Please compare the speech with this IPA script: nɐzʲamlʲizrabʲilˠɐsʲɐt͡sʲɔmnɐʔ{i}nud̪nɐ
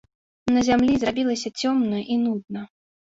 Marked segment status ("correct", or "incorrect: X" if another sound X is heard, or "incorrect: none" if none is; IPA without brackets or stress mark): correct